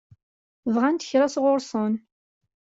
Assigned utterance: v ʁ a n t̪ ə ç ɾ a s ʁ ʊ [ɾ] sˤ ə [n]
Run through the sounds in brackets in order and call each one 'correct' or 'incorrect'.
correct, correct

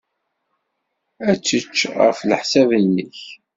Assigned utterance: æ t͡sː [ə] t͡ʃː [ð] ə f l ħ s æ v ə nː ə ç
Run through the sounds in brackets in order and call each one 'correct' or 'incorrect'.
correct, incorrect: ʁ

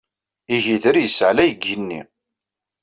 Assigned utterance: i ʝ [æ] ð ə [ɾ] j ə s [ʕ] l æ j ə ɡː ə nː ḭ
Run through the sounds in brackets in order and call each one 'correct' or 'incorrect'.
incorrect: i, correct, correct

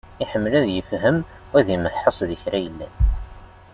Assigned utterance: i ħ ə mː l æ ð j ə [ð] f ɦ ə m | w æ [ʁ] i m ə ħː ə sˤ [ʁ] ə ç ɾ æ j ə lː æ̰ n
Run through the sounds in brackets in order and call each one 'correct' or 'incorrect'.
incorrect: none, incorrect: ð, incorrect: ð

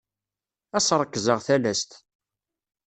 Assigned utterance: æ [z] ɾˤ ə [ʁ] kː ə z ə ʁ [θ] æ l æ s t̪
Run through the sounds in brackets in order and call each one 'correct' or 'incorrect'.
incorrect: s, incorrect: none, correct

